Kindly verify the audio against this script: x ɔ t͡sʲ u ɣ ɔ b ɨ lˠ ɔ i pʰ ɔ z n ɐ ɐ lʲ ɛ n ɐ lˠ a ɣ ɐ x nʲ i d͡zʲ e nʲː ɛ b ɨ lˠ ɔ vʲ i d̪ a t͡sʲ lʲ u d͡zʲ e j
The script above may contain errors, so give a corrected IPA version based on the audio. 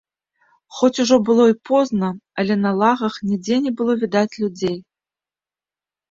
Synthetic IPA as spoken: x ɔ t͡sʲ u ʐ ɔ b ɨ lˠ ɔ i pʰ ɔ z n ɐ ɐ lʲ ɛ n ɐ lˠ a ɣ ɐ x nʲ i d͡zʲ e nʲ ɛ b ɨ lˠ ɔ vʲ i d̪ a t͡sʲ lʲ u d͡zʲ e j